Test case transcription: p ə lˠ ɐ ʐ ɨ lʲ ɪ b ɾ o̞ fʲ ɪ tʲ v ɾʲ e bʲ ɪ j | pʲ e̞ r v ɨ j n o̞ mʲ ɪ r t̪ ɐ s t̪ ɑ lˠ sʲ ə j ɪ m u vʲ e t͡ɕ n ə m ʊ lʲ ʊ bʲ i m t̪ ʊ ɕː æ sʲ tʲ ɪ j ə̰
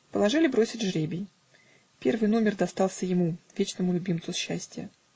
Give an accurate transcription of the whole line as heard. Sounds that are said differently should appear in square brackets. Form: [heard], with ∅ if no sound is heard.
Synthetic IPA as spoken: p ə lˠ ɐ ʐ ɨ lʲ ɪ b ɾ o̞ [sʲ] ɪ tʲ [ʐ] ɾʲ e bʲ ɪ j | pʲ e̞ r v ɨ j n o̞ mʲ ɪ r [d̪] ɐ s t̪ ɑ lˠ sʲ ə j ɪ m u vʲ e t͡ɕ n ə m ʊ lʲ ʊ bʲ i m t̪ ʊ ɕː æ sʲ tʲ ɪ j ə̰